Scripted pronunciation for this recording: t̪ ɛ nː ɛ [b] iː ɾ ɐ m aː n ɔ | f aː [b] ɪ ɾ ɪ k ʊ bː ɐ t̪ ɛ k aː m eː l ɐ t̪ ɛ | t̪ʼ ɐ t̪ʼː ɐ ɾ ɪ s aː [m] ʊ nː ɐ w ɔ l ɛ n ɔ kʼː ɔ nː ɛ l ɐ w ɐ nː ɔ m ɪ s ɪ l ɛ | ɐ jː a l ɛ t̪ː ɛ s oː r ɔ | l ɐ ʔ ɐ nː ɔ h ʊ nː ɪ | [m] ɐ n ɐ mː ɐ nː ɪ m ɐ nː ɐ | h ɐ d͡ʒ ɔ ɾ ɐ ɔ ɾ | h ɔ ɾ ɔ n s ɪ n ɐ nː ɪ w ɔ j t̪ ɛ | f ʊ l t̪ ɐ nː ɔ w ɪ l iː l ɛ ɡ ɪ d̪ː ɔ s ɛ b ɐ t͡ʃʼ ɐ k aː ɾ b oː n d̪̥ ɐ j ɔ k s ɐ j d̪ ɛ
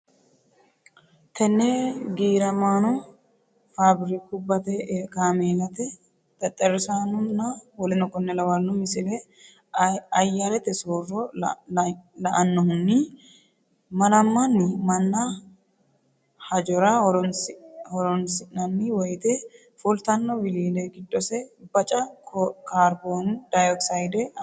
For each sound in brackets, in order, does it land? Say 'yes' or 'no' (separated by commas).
no, yes, no, yes